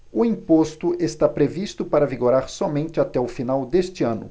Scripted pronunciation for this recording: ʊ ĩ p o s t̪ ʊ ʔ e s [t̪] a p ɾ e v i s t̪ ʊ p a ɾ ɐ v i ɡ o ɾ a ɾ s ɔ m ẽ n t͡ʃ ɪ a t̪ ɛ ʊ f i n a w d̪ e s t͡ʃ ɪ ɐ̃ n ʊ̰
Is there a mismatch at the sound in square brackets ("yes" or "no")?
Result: no